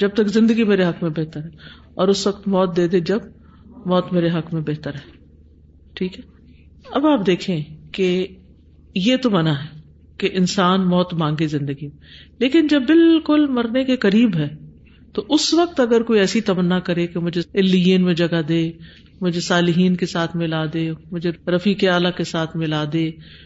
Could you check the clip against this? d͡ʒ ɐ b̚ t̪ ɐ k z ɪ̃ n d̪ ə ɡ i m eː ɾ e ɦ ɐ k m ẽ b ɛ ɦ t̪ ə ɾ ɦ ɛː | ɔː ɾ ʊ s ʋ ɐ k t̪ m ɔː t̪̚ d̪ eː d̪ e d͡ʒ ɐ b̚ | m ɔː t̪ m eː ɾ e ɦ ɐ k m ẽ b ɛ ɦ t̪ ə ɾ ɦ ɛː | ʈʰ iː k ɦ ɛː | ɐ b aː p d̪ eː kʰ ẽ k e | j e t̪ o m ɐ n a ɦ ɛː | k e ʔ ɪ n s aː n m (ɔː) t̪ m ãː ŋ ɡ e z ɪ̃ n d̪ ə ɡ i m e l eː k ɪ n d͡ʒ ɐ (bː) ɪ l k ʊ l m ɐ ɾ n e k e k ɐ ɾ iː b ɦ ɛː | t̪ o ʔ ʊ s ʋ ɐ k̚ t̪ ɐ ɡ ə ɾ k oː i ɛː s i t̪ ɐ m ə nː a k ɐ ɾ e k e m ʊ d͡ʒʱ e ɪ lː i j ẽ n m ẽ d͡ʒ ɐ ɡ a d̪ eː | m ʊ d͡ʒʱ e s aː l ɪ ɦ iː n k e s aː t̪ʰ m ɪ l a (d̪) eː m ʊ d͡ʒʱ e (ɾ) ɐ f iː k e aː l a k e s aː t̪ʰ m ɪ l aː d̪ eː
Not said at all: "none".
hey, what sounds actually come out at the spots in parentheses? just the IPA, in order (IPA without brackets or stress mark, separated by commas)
ɔː, bː, d̪, ɾ